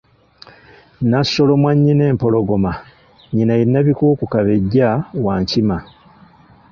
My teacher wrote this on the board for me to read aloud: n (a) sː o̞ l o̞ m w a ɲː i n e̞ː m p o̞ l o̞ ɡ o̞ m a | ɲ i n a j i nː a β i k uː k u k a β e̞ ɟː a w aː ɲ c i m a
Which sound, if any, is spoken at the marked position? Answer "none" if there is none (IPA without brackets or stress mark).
a